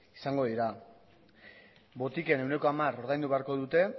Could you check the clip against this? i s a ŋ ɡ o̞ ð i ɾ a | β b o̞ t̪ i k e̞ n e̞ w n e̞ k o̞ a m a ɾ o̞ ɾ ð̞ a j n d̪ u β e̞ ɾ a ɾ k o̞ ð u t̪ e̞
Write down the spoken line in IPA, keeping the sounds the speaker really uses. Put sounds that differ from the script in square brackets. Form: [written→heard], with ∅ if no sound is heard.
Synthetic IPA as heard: i s a ŋ ɡ o̞ ð i ɾ a | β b o̞ t̪ i k e̞ n e̞ w n e̞ k o̞ a m a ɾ o̞ ɾ ð̞ a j n d̪ u β e̞ [ɾ→∅] a ɾ k o̞ ð u t̪ e̞

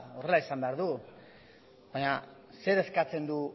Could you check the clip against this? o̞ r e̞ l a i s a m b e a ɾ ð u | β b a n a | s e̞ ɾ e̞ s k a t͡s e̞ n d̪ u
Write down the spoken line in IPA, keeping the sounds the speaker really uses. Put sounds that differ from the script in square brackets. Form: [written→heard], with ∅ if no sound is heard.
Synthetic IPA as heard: o̞ r e̞ l a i s a m b e a ɾ ð u | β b a [n→ɲ] a | s e̞ ɾ e̞ s k a t͡s e̞ n d̪ u

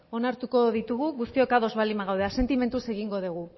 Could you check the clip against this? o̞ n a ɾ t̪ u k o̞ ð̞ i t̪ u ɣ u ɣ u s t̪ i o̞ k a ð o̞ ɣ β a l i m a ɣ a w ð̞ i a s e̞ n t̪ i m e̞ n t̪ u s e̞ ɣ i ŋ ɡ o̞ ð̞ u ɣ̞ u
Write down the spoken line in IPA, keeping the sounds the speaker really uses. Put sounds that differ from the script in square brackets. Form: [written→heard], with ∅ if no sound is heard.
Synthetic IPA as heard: o̞ n a ɾ t̪ u k o̞ ð̞ i t̪ u ɣ u ɣ u s t̪ i o̞ k a ð o̞ [ɣ→z] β a l i m a ɣ a w ð̞ [i→e] a s e̞ n t̪ i m e̞ n t̪ u s e̞ ɣ i ŋ ɡ o̞ ð̞ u ɣ̞ u

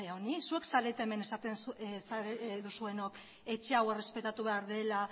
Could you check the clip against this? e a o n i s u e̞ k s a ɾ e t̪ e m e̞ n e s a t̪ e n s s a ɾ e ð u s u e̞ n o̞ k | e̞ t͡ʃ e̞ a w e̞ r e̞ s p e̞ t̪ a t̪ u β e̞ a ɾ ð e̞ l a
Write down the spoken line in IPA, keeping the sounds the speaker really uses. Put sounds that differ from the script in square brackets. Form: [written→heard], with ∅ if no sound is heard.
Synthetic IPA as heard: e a o n i s u e̞ k s a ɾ e t̪ e m e̞ n e s a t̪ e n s s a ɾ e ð u s u e̞ n o̞ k | e̞ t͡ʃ e̞ a w e̞ r e̞ s p e̞ t̪ a t̪ u β e̞ a ɾ ð e̞ l a

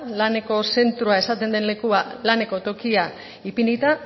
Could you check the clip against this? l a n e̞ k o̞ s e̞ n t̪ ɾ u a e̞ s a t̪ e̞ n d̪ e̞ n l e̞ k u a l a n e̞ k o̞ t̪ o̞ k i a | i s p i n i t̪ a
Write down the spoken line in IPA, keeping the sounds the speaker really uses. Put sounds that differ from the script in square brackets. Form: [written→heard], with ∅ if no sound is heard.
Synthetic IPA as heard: l a n e̞ k o̞ s e̞ n t̪ ɾ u a e̞ s a t̪ e̞ n d̪ e̞ n l e̞ k u a l a n e̞ k o̞ t̪ o̞ k i a | i [s→∅] p i n i t̪ a

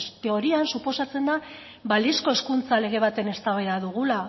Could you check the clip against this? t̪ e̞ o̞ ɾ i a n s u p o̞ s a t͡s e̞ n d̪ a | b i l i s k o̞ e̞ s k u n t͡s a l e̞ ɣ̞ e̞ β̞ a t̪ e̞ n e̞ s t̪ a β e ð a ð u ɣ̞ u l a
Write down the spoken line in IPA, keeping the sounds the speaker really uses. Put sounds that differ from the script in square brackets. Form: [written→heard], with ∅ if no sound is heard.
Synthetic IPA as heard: t̪ e̞ o̞ ɾ i a n s u p o̞ s a t͡s e̞ n d̪ a | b [i→a] l i s k o̞ e̞ s k u n t͡s a l e̞ ɣ̞ e̞ β̞ a t̪ e̞ n e̞ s t̪ a β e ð a ð u ɣ̞ u l a

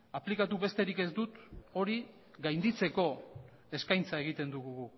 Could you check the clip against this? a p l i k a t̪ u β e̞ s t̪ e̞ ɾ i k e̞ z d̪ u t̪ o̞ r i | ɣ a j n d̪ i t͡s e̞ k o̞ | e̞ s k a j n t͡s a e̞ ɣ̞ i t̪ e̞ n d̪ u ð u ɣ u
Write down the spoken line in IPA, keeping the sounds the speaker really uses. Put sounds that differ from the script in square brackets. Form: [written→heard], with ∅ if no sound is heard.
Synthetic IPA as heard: a p l i k a t̪ u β e̞ s t̪ e̞ ɾ i k e̞ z d̪ u t̪ o̞ [r→ɾ] i | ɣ a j n d̪ i t͡s e̞ k o̞ | e̞ s k a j n t͡s a e̞ ɣ̞ i t̪ e̞ n d̪ u [ð→ɣ] u ɣ u

